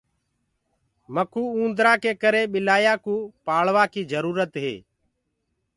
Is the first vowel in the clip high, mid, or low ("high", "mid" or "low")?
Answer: mid